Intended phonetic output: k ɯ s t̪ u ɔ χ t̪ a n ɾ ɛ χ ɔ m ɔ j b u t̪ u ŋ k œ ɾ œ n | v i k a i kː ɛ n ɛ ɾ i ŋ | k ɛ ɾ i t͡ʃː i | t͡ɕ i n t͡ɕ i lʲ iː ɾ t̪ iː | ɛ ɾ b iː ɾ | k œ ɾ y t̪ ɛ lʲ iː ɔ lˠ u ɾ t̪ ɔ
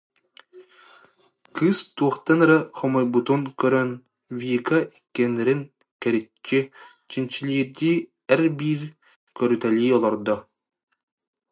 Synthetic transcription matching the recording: k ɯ s t̪ u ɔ χ t̪ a n ɾ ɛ χ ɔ m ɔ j b u t̪ u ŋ k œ ɾ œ n | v i k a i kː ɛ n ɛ ɾ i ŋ | k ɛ ɾ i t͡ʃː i | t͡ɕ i n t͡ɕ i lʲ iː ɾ d̪ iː | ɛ ɾ b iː ɾ | k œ ɾ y t̪ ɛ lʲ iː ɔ lˠ ɔ ɾ d̪ ɔ

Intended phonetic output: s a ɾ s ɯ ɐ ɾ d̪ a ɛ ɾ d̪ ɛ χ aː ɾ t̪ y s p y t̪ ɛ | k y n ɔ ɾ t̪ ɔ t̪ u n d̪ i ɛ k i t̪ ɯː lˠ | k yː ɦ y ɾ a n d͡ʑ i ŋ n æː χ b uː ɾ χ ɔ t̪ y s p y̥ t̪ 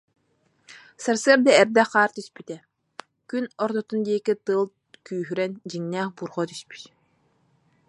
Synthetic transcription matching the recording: s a ɾ s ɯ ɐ ɾ d̪ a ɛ ɾ d̪ ɛ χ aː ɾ t̪ y s p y t̪ ɛ | k y n ɔ ɾ t̪ ɔ t̪ u n d̪ i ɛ k i t̪ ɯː lˠ | k yː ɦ y ɾ ɛ n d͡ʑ i ŋ n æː χ b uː ɾ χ ɔ t̪ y s p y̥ t̪

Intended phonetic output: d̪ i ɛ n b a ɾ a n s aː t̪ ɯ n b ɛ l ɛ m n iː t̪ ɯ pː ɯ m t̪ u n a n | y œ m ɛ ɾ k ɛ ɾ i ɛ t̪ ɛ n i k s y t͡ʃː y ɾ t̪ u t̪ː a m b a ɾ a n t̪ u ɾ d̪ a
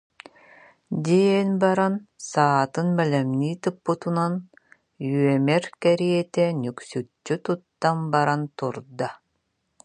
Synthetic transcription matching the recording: d̪ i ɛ n b a ɾ a n s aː t̪ ɯ n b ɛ l ɛ m n iː t̪ ɯ pː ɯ t̪ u n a n | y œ m ɛ ɾ k ɛ ɾ i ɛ t̪ ɛ n y k s y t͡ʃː y t̪ u t̪ː a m b a ɾ a n t̪ u ɾ d̪ a

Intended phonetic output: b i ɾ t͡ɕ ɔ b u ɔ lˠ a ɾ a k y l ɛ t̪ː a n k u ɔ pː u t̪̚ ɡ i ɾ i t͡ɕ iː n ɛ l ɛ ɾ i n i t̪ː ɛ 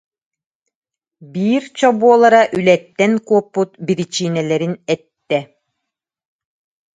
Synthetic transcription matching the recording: b iː ɾ t͡ɕ ɔ b u ɔ lˠ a ɾ a ʔ y l ɛ t̪ː ɛ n k u ɔ pː u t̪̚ b i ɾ i t͡ɕ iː n ɛ l ɛ ɾ i n ɛ t̪ː ɛ

